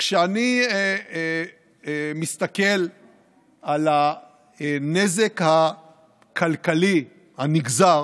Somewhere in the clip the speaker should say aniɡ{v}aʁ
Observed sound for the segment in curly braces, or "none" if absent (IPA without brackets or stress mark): z